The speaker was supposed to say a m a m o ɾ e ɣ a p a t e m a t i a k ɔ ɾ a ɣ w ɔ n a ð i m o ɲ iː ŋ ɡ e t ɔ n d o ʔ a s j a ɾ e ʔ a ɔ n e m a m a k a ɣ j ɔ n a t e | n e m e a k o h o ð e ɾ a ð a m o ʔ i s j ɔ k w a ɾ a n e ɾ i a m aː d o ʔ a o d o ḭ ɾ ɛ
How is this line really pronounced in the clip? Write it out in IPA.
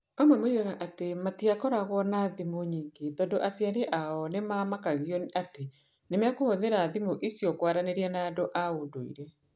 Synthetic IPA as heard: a m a m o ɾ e ɣ a ʔ a t e m a t i a k ɔ ɾ a ɣ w ɔ n a ð i m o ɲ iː ŋ ɡ e t ɔ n d o ʔ a s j a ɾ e ʔ a ɔ n e m a m a k a ɣ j ɔ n a t e | n e m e a k o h o ð e ɾ a ð i m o ʔ i s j ɔ k w a ɾ a n e ɾ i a n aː d o ʔ a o d o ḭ ɾ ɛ